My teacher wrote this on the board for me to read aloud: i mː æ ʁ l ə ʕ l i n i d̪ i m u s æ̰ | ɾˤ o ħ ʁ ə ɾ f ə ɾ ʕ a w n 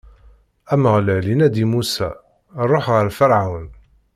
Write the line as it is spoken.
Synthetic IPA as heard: æ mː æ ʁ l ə ʕ l i n æ d̪ i m u s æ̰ | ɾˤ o ħ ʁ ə ɾ f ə ɾ ʕ a w n